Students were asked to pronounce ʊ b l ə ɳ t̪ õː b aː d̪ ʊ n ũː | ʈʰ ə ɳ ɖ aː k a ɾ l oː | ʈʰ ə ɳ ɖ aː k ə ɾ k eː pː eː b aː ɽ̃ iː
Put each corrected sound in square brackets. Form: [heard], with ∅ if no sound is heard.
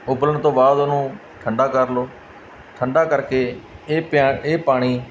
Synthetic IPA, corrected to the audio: ʊ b l ə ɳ t̪ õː b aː d̪ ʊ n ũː | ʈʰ ə ɳ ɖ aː k [ə] ɾ l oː | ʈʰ ə ɳ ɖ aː k ə ɾ k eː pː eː [p] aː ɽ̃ iː